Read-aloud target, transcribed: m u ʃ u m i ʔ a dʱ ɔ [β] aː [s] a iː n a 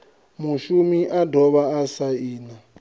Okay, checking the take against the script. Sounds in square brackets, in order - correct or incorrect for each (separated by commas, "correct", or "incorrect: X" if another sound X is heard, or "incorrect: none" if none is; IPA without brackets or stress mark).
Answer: correct, correct